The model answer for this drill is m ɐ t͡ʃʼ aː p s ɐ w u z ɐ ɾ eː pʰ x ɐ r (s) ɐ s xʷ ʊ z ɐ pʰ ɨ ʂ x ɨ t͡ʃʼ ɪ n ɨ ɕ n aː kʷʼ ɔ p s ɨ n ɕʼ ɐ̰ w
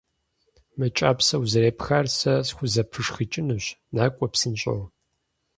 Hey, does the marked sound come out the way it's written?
yes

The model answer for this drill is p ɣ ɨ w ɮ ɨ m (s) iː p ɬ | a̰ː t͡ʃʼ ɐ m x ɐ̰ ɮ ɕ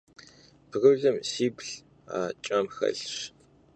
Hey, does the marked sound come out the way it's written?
yes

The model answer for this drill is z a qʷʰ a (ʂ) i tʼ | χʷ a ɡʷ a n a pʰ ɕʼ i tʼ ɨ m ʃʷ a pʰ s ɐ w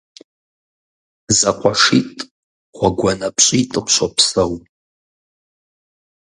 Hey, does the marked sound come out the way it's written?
yes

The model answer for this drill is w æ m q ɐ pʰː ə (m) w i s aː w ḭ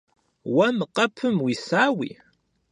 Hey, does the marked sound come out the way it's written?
yes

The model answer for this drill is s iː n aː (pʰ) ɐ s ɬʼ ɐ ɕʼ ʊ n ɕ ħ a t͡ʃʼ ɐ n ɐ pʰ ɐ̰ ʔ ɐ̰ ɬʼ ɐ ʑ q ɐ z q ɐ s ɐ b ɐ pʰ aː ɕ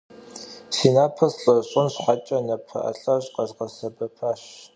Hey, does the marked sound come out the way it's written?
yes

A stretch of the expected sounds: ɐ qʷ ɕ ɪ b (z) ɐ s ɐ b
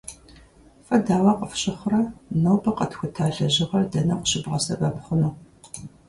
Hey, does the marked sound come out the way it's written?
no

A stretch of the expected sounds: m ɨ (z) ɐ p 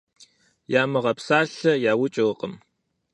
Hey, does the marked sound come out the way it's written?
no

